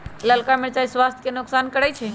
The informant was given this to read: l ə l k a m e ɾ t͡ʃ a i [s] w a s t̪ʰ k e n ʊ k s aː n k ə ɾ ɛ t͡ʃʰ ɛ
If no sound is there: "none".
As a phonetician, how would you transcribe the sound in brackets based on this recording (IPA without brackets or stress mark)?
s